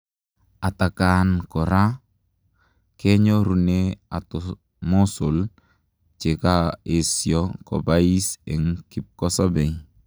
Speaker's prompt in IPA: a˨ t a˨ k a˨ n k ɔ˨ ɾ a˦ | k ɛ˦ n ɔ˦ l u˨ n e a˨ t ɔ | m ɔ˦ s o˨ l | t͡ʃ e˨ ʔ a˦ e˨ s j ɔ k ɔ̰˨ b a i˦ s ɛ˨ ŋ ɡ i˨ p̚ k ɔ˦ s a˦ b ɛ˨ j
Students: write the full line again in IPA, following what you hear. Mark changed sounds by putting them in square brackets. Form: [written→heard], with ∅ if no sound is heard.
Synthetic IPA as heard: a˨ t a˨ k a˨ n k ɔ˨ ɾ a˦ | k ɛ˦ [n→ɲ] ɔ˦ [l→ɾ] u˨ n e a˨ t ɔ | m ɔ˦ s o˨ l | t͡ʃ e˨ [ʔ→k] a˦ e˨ s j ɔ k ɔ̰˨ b a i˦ s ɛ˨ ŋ [ɡ→k] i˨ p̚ k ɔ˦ s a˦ b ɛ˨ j

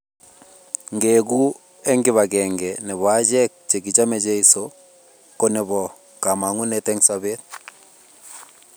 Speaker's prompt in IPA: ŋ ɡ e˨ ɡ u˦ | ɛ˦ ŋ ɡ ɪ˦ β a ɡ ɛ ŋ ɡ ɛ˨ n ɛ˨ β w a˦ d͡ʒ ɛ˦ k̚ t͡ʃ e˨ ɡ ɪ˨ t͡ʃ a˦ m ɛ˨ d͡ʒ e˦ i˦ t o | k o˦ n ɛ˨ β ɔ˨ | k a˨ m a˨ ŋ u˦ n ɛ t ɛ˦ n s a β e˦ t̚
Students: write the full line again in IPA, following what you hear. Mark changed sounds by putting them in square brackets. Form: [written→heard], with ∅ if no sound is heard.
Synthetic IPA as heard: ŋ ɡ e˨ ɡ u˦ | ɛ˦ ŋ ɡ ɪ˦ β a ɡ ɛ ŋ ɡ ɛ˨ n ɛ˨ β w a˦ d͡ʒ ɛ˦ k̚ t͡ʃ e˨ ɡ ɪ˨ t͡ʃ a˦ m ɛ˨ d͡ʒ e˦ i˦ [t→s] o | k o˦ n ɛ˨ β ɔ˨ | k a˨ m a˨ ŋ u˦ n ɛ t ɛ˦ [n→ŋ] s a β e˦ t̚

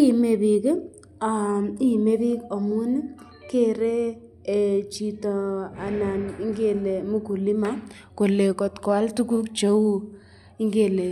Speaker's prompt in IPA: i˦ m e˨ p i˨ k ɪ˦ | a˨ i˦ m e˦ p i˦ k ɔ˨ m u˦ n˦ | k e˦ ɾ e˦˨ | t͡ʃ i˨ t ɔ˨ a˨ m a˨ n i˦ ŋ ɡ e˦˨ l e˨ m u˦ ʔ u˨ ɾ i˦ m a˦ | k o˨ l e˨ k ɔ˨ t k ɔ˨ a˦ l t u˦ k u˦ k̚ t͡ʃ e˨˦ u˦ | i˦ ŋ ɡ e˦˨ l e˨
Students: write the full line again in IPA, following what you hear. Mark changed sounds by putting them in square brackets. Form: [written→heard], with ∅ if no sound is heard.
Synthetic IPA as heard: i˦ m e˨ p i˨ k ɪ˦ | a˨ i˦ m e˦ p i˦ k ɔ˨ m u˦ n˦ | k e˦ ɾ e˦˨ | t͡ʃ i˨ t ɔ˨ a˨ [m→n] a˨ n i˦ ŋ ɡ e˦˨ l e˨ m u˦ [ʔ→k] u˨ [ɾ→l] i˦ m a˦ | k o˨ l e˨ k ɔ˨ t k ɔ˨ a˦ l t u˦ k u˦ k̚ t͡ʃ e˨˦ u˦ | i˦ ŋ ɡ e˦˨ l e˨

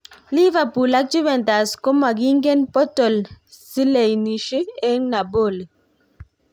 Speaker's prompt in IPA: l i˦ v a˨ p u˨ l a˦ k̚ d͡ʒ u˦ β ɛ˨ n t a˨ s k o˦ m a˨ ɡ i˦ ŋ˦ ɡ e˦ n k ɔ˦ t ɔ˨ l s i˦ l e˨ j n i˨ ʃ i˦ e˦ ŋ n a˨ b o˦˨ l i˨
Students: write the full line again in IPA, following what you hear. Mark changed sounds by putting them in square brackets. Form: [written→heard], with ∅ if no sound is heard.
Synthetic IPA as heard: l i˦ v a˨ p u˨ l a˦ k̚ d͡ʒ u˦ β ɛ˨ n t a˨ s k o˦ m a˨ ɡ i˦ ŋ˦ ɡ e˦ n [k→p] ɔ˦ t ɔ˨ l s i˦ l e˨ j n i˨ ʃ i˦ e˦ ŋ n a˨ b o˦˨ l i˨

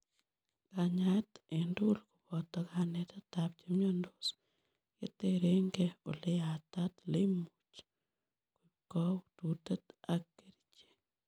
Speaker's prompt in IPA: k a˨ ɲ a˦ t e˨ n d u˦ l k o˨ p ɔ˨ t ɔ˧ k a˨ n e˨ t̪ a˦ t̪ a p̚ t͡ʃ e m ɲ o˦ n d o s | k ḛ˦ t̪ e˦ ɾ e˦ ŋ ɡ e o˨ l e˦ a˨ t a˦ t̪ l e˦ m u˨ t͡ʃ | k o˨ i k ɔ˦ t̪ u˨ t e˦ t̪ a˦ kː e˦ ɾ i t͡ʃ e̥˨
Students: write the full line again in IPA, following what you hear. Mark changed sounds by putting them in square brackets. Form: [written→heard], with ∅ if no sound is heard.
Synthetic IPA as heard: k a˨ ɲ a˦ t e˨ n d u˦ l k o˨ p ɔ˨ t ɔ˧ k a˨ n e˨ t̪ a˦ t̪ a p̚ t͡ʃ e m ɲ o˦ n d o s | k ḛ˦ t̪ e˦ ɾ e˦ ŋ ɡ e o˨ l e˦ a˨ t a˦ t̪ l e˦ m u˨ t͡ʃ | k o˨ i k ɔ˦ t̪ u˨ t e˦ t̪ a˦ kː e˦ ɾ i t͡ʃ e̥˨

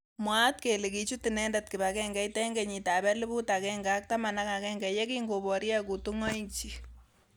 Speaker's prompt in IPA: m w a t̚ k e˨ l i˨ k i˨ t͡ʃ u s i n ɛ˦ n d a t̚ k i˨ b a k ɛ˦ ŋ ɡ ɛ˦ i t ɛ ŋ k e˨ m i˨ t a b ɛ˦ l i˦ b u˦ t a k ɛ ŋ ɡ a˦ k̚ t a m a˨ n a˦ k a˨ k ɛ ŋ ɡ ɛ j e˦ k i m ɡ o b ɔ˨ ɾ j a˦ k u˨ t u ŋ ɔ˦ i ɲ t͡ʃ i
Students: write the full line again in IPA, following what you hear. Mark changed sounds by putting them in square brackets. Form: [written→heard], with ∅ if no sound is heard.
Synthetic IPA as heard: m w a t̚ k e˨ l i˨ k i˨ t͡ʃ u [s→t] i n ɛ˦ n d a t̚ k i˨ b a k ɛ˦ ŋ ɡ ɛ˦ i t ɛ ŋ [k→ɡ] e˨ [m→ɲ] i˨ t a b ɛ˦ l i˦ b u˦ t a k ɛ ŋ ɡ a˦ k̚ t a m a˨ n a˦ k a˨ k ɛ ŋ ɡ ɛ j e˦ k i [m→ŋ] ɡ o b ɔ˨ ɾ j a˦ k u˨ t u ŋ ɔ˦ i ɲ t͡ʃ i

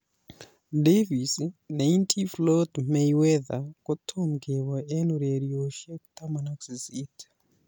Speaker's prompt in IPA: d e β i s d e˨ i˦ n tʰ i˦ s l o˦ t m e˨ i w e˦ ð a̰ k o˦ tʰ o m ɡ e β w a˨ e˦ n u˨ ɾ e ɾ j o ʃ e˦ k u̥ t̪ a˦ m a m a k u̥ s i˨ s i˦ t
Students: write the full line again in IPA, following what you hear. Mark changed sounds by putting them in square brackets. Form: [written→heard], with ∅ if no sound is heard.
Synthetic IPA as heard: d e [β→v] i s [d→n] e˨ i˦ n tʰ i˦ [s→f] l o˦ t m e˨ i w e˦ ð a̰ k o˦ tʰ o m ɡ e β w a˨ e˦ n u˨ ɾ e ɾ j o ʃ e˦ k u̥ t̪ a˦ m a [m→n] a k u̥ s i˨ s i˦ t

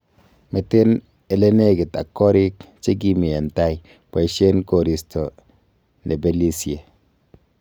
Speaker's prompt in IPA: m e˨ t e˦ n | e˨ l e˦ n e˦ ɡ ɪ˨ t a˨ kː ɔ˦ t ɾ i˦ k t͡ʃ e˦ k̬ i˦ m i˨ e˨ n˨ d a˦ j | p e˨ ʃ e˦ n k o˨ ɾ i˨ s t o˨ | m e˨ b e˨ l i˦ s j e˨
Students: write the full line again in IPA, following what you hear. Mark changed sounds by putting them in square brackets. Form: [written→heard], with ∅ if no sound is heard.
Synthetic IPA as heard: m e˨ t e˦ n | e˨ l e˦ n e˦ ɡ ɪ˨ t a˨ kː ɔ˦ [t→∅] ɾ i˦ k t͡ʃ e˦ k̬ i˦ m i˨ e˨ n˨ [d→t] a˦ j | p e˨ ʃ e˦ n k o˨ ɾ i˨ s t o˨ | [m→n] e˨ b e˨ l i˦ s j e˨

